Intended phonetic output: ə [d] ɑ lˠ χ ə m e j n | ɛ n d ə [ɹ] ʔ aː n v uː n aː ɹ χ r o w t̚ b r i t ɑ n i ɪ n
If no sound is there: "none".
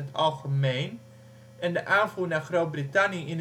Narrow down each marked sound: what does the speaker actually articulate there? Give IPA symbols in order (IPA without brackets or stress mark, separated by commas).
t, none